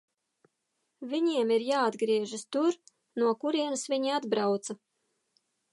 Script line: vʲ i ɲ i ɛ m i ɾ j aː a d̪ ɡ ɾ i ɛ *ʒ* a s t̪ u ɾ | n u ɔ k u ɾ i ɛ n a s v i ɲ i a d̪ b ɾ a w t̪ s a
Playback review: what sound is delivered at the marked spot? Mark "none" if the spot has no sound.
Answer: ʒ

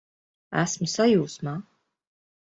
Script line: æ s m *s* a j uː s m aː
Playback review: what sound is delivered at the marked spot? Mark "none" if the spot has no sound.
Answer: s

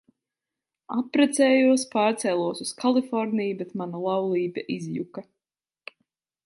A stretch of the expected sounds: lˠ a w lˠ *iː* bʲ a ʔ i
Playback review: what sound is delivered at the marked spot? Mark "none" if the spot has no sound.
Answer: iː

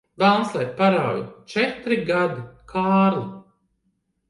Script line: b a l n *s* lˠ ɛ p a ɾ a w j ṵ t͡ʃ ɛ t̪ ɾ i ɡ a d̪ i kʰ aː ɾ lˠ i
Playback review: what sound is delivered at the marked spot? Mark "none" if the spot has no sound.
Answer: s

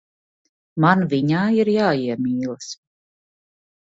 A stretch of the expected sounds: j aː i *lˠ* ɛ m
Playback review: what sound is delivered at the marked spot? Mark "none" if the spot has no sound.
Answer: none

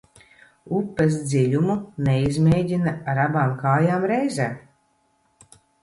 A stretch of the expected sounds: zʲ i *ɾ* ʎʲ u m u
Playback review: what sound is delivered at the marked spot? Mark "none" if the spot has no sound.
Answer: none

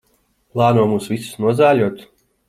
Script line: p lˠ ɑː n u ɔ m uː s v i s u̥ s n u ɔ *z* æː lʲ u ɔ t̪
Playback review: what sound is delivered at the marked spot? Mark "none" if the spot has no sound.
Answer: z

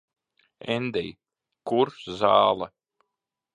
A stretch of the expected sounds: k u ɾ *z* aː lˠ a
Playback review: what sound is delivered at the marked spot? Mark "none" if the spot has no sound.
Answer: z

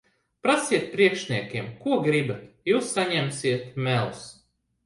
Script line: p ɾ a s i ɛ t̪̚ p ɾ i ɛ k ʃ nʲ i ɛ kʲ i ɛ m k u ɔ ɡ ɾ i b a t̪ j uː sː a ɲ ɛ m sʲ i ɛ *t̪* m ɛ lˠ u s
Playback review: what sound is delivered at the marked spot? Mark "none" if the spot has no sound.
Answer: t̪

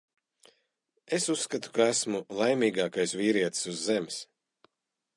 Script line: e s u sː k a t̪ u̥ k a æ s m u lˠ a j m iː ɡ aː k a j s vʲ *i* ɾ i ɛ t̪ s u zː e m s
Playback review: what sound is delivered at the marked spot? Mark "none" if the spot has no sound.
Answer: iː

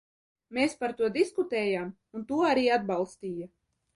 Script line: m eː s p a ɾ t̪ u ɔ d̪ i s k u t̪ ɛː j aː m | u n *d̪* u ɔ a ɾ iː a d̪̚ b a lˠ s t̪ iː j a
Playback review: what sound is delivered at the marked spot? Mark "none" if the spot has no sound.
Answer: t̪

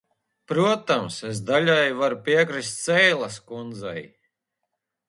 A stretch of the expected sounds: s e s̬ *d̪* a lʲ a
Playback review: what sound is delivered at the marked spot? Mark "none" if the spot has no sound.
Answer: d̪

